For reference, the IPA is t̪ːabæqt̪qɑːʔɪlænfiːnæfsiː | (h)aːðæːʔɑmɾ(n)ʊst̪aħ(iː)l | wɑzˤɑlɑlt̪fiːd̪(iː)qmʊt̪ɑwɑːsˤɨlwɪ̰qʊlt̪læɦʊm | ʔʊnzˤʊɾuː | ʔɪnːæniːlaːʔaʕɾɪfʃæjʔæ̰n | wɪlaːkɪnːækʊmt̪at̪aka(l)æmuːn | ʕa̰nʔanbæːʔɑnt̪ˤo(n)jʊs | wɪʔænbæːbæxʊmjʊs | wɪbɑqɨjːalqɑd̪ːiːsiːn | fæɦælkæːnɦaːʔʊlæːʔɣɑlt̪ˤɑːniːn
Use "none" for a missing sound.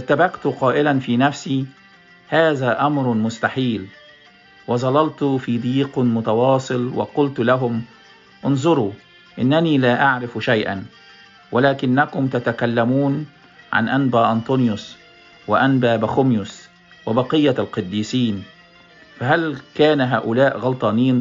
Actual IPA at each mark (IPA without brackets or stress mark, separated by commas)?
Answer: h, m, iː, iː, lː, n